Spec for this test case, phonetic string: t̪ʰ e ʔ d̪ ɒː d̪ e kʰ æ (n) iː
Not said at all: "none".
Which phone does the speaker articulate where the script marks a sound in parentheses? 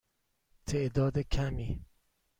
m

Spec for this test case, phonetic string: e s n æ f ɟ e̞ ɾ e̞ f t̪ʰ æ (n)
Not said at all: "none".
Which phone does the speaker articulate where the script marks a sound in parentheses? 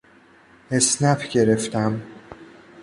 m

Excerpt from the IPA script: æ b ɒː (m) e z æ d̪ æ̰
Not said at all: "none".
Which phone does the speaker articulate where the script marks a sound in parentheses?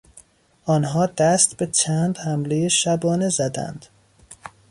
n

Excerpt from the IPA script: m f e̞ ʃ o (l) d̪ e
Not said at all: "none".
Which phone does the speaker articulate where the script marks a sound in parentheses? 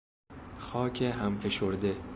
ɾ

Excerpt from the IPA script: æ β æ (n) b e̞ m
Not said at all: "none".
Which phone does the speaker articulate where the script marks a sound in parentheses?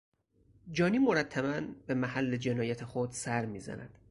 n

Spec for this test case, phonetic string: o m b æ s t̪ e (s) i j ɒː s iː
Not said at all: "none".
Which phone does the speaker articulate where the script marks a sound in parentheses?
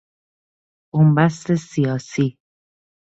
s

